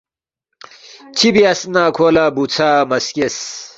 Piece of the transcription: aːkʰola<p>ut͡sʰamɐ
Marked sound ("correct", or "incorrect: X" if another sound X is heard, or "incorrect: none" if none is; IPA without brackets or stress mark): incorrect: b